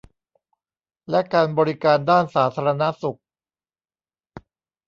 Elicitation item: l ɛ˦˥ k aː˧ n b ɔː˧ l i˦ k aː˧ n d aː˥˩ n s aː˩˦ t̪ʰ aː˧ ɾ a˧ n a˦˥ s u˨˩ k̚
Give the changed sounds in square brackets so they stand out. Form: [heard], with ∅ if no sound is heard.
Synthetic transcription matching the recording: l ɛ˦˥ k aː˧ n b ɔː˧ [ɾ] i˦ k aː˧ n d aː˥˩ n s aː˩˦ t̪ʰ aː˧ ɾ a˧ n a˦˥ s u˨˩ k̚